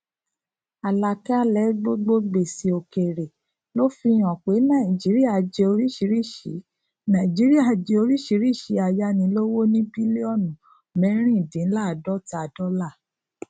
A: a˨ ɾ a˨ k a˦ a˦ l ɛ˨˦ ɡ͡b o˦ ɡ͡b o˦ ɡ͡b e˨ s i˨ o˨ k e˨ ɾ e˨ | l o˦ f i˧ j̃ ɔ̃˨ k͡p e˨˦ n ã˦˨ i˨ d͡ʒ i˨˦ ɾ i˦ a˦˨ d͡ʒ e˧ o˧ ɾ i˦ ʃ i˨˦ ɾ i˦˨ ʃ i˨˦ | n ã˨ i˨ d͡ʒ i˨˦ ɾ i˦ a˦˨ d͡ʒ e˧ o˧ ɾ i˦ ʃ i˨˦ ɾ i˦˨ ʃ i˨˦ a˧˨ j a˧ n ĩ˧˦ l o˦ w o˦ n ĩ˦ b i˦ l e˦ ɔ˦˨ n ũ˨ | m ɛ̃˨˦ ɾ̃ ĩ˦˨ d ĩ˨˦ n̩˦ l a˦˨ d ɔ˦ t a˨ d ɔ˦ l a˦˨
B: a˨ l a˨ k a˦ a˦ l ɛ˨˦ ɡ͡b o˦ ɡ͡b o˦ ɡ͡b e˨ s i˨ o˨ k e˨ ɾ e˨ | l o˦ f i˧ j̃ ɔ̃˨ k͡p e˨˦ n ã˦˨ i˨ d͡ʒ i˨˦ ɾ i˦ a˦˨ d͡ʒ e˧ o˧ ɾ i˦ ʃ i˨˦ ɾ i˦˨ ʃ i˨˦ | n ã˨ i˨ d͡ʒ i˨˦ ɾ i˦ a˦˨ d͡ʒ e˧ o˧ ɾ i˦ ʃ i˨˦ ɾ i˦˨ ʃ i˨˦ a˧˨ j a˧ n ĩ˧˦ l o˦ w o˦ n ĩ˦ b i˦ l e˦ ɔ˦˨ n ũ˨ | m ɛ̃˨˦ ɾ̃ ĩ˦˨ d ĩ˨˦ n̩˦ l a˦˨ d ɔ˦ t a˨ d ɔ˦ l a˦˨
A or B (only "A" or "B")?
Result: B